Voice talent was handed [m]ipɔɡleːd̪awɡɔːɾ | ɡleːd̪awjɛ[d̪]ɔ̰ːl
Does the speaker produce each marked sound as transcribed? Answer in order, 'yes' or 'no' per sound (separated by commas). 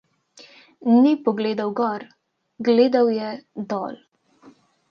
no, yes